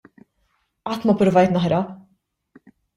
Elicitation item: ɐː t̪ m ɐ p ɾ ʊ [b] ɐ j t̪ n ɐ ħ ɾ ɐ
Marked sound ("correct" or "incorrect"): incorrect